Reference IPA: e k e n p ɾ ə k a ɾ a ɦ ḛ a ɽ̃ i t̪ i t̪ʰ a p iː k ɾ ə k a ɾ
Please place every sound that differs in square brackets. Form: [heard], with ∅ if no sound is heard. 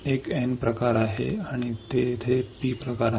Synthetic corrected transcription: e k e n p ɾ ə k a ɾ a ɦ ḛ a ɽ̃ i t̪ [e] t̪ʰ [e] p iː [p] ɾ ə k a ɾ